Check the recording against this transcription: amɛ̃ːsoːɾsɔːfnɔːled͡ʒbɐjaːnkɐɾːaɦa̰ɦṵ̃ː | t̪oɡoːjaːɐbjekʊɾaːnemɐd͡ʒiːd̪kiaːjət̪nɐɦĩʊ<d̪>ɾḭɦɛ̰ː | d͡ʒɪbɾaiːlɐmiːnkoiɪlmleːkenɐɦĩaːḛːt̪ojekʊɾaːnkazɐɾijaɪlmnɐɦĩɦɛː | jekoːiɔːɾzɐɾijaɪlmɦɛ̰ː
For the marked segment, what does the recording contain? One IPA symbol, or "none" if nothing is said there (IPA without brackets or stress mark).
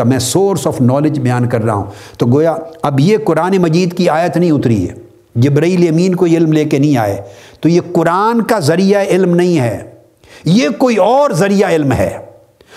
t̪